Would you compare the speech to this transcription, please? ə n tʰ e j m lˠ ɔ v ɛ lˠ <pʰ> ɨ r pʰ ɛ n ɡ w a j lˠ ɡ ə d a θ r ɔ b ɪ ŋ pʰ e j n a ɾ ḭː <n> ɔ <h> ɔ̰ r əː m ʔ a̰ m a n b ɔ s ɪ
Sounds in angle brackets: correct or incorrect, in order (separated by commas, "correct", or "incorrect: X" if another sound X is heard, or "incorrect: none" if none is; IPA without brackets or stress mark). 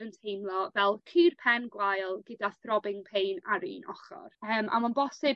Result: incorrect: kʰ, correct, incorrect: χ